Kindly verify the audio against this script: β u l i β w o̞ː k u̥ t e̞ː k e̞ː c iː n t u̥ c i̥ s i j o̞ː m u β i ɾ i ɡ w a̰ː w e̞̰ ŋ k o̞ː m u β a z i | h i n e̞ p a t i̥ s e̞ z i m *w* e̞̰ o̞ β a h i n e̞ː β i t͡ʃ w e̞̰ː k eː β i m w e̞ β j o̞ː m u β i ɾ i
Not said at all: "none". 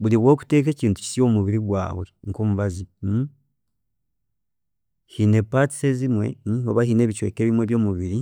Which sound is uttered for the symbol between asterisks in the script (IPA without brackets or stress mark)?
w